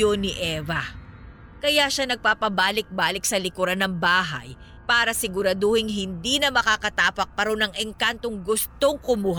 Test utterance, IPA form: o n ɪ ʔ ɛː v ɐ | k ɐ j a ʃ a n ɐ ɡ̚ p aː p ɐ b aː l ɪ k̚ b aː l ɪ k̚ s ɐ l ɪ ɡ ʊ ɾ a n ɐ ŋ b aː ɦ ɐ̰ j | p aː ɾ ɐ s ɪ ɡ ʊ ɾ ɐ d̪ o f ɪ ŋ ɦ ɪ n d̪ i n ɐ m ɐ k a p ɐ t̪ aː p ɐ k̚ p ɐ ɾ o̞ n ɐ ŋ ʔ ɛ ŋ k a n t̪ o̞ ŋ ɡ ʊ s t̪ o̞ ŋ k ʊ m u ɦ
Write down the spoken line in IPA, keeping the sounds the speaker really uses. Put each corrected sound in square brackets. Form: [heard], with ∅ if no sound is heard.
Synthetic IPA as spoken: o n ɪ ʔ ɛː v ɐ | k ɐ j a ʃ a n ɐ ɡ̚ p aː p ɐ b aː l ɪ k̚ b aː l ɪ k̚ s ɐ l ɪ [k] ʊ ɾ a n ɐ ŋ b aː ɦ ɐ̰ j | p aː ɾ ɐ s ɪ ɡ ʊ ɾ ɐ d̪ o [h] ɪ ŋ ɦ ɪ n d̪ i n ɐ m ɐ k a [k] ɐ t̪ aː p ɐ k̚ p ɐ ɾ o̞ n ɐ ŋ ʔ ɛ ŋ k a n t̪ o̞ ŋ ɡ ʊ s t̪ o̞ ŋ k ʊ m u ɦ